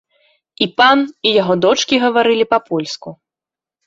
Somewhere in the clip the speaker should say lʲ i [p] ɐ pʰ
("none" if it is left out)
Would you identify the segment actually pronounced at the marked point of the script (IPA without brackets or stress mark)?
p